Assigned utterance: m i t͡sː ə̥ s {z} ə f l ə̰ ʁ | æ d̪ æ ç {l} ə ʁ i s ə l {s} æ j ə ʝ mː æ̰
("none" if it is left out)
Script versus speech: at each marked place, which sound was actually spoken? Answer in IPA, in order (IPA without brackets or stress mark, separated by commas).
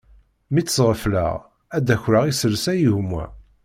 ʁ, ɾ, s